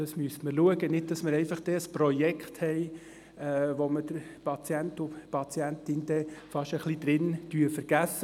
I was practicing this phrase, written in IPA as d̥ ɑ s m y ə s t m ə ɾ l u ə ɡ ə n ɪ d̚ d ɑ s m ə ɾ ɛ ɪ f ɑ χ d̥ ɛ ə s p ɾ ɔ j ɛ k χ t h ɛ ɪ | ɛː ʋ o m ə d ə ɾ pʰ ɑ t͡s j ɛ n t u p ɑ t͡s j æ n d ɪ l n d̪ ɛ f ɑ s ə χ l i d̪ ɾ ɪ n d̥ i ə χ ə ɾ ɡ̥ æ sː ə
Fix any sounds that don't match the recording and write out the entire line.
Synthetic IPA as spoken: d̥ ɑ s m y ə s t m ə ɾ l u ə ɡ ə n ɪ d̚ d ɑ s m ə ɾ ɛ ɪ f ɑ χ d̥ ɛ ə s p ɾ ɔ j ɛ k χ t h ɛ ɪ | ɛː ʋ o m ə d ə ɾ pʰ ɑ t͡s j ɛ n t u p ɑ t͡s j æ n t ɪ n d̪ ɛ f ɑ ʃ ə χ l i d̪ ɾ ɪ n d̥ y ə f ə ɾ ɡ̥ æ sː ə